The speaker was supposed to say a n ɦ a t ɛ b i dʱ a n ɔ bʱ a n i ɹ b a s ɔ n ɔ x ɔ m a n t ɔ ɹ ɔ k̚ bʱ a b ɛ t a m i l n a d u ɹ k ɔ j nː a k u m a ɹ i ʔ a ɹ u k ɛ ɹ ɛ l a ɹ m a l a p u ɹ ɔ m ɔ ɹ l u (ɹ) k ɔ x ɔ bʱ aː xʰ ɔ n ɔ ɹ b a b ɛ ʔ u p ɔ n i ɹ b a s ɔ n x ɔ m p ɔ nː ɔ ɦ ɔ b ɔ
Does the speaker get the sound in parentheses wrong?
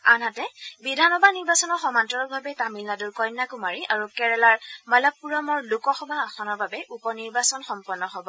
yes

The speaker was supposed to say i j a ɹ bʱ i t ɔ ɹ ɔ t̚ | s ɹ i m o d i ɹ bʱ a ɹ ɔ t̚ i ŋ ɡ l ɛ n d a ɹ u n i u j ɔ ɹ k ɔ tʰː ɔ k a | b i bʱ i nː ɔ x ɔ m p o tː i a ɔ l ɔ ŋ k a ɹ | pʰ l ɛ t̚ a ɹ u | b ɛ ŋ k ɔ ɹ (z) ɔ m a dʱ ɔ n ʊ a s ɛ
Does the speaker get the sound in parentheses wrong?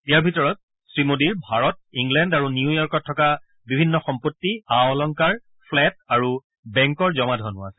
no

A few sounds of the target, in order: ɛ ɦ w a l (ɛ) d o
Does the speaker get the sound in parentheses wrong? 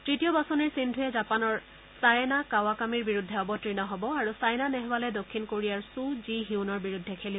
no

